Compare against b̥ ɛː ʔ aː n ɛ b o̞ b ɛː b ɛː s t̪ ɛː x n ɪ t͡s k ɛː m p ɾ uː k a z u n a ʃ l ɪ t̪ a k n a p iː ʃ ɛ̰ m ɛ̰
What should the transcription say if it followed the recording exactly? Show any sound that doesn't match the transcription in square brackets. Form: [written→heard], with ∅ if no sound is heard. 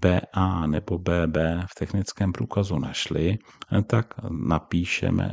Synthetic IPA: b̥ ɛː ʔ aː n ɛ b o̞ b ɛː b ɛː [s→f] t̪ [ɛː→ɛ] x n ɪ t͡s k ɛː m p ɾ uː k a z u n a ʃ l ɪ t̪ a k n a p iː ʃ ɛ̰ m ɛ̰